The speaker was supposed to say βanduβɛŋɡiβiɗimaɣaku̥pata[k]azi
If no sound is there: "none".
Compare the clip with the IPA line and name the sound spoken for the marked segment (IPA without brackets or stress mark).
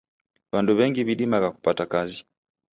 k